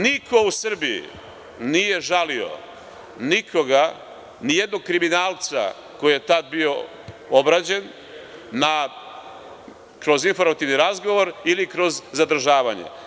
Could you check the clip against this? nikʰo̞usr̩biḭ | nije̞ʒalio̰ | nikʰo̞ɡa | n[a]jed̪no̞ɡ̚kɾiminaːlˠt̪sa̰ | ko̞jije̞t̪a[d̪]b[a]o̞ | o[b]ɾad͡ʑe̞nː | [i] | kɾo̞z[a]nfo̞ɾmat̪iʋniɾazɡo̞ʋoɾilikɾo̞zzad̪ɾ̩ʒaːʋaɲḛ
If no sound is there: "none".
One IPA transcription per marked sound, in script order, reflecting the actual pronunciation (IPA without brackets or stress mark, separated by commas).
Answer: i, d̪, i, b, a, i